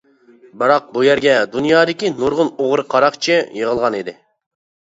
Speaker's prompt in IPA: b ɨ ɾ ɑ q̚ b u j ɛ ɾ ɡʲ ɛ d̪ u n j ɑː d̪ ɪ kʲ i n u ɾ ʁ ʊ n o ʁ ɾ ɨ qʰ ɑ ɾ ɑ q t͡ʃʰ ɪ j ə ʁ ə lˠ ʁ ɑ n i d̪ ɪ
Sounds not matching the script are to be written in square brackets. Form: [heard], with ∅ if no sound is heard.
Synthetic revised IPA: b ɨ ɾ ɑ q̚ b u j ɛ ɾ ɡʲ ɛ d̪ u n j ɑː d̪ ɪ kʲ i n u ɾ ʁ ʊ n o ʁ ɾ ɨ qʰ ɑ ɾ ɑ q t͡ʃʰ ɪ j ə ʁ ə lˠ ʁ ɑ n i d̪ ɪ